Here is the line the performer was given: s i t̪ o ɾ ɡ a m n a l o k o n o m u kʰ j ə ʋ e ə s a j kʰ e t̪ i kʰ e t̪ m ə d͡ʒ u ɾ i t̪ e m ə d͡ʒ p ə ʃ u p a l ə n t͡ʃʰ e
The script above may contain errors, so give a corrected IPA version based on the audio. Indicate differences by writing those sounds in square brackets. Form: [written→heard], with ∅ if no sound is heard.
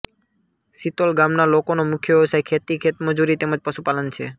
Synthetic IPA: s i t̪ o [ɾ→l] ɡ a m n a l o k o n o m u kʰ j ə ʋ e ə s a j kʰ e t̪ i kʰ e t̪ m ə d͡ʒ u ɾ i t̪ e m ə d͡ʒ p ə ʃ u p a l ə n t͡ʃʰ e